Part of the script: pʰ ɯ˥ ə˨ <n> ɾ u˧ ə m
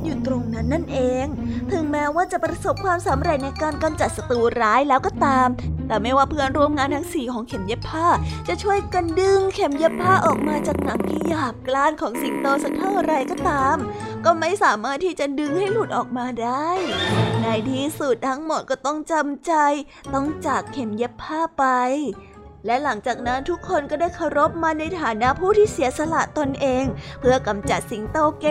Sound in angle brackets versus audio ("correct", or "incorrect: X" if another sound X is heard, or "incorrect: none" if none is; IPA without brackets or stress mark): correct